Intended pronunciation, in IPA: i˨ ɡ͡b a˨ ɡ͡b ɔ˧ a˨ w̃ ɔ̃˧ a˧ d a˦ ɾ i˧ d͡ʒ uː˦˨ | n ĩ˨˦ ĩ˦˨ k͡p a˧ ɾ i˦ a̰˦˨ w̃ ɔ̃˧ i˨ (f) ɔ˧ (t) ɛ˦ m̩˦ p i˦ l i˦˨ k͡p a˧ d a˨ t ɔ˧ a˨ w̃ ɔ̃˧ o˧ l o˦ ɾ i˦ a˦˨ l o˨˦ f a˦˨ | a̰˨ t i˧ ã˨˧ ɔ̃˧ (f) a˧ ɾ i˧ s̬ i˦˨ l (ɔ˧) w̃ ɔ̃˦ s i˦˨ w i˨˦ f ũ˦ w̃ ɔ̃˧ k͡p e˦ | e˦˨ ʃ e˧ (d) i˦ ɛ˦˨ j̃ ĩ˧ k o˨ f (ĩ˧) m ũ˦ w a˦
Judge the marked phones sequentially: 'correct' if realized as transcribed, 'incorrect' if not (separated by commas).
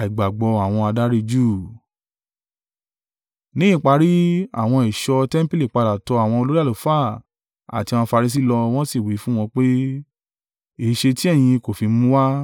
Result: incorrect, correct, correct, correct, incorrect, incorrect